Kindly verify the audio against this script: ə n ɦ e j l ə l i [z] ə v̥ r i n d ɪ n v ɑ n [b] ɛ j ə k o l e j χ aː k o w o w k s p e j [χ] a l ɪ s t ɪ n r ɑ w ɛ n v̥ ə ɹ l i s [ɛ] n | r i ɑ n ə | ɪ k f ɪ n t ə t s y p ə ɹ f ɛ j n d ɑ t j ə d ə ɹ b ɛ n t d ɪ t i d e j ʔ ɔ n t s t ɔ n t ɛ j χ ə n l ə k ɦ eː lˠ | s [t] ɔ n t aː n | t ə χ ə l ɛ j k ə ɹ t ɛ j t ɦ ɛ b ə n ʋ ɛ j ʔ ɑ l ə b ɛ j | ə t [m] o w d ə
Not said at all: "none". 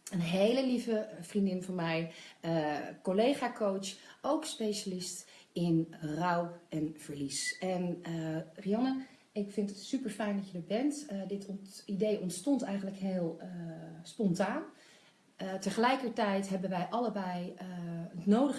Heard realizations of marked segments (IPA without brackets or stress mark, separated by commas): v, m, ʃ, ɛ, p, n